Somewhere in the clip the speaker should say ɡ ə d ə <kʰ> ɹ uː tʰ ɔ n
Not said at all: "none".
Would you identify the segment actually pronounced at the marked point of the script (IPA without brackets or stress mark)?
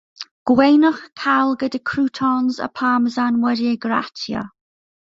kʰ